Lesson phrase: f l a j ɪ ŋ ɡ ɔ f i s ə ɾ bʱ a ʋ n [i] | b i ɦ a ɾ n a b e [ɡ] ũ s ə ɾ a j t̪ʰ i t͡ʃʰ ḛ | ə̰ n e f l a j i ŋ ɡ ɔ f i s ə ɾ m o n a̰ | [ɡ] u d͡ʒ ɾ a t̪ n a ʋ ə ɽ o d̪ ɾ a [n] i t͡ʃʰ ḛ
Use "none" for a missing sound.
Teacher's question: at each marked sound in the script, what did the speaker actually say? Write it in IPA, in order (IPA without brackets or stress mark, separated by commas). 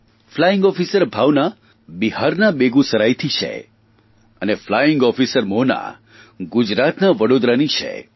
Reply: a, ɡ, ɡ, n